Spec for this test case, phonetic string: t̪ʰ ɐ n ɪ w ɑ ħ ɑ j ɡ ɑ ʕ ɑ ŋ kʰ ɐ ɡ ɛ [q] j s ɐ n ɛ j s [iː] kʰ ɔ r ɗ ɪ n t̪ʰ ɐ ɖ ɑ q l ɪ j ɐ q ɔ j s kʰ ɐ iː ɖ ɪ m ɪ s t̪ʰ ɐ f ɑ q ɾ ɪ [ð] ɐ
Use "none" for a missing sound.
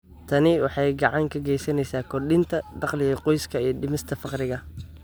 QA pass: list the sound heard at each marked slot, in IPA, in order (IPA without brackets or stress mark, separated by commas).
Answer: none, aː, ɣ